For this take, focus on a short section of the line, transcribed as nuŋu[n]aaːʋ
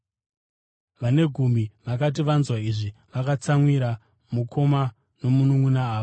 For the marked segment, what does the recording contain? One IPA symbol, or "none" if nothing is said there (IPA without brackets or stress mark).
n